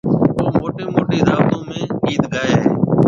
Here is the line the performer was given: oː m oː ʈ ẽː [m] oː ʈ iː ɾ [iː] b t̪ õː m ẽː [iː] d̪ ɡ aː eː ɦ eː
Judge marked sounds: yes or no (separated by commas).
yes, no, yes